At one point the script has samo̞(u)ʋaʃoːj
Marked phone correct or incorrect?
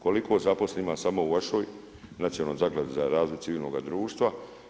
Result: correct